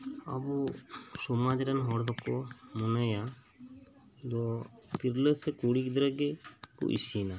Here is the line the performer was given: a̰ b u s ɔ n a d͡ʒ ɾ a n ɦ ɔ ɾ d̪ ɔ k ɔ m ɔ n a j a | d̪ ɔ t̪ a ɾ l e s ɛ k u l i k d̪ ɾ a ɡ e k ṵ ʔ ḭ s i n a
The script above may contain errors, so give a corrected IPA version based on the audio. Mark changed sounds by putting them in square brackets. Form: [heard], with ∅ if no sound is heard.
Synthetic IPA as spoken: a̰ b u s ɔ [m] a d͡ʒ ɾ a n ɦ ɔ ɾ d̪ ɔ k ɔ m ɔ n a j a | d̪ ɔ t̪ [i] ɾ l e s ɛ k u [ɽ] i k d̪ ɾ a ɡ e k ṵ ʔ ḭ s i n a